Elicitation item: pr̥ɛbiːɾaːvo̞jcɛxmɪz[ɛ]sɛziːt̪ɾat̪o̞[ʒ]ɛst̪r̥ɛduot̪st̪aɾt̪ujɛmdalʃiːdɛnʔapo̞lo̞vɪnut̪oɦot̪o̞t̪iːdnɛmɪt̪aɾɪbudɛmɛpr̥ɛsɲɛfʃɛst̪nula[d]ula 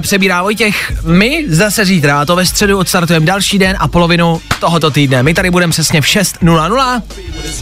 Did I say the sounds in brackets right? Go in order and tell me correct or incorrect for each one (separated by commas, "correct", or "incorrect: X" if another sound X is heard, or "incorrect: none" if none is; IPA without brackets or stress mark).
incorrect: a, incorrect: v, incorrect: n